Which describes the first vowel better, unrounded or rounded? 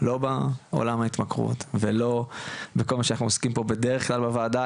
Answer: rounded